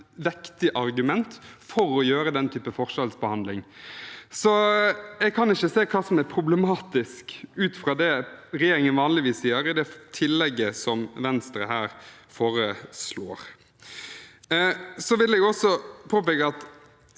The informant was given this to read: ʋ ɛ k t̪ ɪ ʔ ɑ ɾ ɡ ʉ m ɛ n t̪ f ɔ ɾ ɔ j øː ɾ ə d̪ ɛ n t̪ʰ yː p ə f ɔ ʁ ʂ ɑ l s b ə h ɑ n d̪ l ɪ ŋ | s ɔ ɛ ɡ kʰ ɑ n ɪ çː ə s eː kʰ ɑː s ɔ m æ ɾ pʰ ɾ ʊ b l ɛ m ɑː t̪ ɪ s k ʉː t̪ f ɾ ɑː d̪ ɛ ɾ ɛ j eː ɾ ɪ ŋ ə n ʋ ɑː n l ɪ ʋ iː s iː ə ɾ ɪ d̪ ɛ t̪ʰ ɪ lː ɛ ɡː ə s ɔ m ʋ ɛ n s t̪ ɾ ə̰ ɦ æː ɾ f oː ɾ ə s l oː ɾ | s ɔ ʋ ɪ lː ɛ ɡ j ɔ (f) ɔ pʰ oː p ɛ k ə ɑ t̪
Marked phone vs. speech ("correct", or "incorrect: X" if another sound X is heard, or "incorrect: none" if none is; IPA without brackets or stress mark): incorrect: s